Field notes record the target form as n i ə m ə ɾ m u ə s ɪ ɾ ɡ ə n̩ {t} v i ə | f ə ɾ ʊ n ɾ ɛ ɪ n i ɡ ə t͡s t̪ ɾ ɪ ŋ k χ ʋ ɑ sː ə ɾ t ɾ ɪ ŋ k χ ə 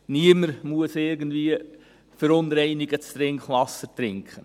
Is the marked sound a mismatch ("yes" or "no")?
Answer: yes